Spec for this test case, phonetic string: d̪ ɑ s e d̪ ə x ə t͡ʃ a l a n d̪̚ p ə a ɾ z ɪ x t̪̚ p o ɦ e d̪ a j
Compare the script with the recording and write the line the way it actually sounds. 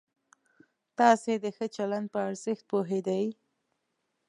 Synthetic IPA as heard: t̪ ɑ s e d̪ ə x ə t͡ʃ a l a n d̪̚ p ə a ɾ z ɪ x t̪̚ p o ɦ e d̪ a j